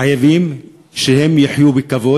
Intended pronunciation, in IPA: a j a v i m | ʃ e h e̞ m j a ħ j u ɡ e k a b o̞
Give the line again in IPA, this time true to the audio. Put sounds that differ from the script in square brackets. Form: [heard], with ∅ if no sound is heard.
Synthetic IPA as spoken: a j a v i m | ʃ e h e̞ m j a ħ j u [b] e k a [v] o̞